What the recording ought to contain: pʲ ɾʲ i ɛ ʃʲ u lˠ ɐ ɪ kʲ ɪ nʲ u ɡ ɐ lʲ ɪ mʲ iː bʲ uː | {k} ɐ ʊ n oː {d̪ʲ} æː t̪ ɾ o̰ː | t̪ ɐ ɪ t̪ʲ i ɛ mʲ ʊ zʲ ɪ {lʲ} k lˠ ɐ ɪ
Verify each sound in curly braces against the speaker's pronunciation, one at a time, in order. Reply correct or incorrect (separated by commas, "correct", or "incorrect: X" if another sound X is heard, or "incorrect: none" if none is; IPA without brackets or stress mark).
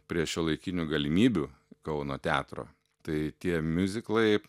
correct, incorrect: t̪ʲ, incorrect: none